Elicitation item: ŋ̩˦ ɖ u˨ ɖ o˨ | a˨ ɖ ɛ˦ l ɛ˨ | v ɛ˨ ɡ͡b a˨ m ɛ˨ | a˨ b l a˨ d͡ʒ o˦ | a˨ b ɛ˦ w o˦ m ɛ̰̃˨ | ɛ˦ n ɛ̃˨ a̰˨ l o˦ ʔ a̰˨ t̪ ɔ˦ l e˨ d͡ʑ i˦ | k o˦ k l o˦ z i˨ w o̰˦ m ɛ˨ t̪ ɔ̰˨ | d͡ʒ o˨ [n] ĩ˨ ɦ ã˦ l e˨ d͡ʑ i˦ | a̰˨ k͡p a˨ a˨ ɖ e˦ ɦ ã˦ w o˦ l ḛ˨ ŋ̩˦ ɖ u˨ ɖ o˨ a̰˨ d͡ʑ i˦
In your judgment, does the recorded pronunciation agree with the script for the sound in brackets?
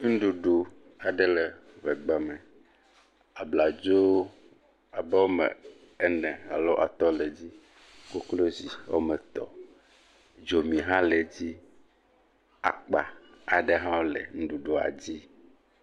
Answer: no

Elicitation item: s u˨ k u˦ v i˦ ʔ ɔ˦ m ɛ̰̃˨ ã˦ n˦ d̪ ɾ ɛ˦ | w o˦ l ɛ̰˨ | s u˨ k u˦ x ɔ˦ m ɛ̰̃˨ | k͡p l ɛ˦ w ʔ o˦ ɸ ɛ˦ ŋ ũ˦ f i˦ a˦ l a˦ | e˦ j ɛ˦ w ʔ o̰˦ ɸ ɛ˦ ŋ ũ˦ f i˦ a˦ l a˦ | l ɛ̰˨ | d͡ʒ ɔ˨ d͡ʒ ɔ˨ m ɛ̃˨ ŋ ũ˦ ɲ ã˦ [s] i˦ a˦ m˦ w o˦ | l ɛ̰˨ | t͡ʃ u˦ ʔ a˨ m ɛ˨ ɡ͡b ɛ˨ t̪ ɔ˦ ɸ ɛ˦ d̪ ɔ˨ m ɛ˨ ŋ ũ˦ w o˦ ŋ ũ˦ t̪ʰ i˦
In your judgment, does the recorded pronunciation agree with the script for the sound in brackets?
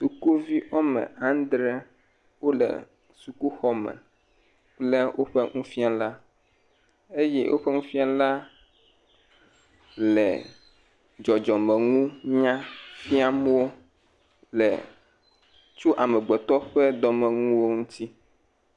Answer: no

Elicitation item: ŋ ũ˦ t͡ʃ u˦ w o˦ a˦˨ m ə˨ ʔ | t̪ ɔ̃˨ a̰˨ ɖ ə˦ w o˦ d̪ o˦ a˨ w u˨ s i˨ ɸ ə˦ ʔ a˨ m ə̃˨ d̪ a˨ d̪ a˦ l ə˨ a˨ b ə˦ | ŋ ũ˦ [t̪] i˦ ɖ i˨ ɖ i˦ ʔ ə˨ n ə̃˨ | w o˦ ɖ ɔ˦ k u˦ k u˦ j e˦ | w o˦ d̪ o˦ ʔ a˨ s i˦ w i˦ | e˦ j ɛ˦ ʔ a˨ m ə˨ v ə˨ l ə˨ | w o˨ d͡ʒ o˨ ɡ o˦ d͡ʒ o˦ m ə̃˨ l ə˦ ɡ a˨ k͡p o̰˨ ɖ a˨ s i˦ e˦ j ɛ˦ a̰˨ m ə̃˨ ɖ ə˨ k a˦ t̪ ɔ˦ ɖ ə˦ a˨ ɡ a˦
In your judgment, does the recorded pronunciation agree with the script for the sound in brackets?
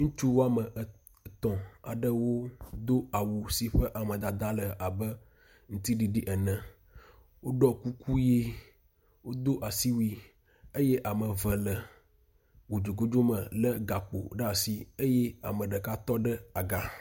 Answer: yes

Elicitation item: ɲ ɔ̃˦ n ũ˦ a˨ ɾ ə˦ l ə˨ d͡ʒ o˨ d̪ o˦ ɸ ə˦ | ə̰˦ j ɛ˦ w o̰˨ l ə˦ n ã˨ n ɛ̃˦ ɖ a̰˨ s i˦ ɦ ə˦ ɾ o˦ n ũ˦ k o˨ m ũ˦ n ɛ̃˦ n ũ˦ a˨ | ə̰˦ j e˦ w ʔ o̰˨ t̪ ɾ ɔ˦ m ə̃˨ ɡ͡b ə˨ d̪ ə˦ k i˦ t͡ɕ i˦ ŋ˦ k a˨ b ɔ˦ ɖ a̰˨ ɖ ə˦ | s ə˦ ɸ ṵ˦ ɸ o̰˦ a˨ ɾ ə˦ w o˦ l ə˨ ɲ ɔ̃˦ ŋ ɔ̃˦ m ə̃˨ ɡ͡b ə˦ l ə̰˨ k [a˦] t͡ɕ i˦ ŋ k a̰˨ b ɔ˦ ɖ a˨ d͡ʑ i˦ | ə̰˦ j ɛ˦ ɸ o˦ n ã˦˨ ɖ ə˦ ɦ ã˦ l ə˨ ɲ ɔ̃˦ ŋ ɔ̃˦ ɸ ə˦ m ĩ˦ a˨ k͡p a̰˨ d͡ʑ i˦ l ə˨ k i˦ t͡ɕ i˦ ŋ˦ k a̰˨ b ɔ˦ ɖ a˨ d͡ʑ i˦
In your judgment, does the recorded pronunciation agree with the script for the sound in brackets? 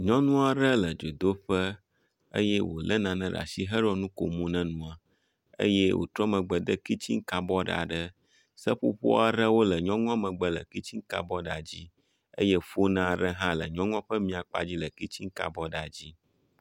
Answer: no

